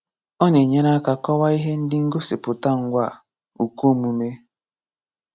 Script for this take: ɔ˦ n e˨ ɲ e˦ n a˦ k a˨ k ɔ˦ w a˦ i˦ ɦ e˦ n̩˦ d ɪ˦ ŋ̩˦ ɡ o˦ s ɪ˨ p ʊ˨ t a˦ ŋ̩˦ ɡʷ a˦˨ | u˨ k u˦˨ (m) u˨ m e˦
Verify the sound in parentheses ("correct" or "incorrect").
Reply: correct